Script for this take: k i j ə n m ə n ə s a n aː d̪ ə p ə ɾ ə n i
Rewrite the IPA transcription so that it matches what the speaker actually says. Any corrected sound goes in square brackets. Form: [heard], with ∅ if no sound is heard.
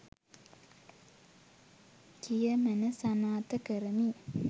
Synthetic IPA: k i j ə [∅] m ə n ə s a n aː [t̪] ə [k] ə ɾ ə [m] i